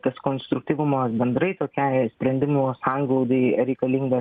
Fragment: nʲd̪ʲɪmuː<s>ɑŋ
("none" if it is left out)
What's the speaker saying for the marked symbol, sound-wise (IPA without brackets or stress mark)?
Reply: s